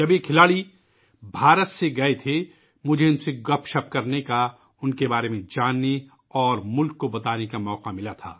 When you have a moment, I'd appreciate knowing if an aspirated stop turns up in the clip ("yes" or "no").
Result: yes